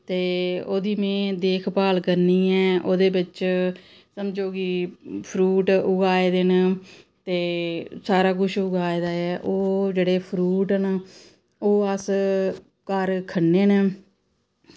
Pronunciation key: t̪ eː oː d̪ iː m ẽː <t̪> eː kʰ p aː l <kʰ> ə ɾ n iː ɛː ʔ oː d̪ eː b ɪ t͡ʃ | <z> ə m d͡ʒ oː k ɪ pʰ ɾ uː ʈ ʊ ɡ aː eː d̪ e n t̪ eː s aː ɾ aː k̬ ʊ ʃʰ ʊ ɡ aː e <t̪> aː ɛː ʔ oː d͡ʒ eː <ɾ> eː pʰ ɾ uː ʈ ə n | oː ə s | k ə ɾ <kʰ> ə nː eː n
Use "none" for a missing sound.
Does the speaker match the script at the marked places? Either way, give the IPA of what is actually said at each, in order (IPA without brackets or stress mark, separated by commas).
d̪, k, s, d̪, ɽ, kʰ